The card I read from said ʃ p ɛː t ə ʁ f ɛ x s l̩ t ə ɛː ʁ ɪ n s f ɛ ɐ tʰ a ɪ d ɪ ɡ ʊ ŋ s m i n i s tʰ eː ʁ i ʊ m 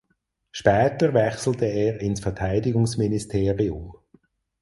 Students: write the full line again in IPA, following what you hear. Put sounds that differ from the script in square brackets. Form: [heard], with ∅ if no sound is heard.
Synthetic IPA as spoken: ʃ p ɛː t ə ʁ [v] ɛ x s l̩ t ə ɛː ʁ ɪ n s f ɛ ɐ tʰ a ɪ d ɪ ɡ ʊ ŋ s m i n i s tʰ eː ʁ i ʊ m